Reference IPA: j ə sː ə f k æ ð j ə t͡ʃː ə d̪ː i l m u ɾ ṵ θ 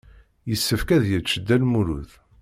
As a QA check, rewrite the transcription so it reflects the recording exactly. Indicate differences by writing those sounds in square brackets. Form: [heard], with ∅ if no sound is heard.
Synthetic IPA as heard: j ə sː ə f k æ ð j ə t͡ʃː ə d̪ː [æ] l m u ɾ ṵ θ